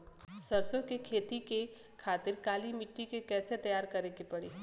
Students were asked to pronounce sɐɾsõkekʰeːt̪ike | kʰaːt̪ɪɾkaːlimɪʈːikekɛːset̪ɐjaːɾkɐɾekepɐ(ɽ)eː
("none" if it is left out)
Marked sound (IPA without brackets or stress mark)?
ɽ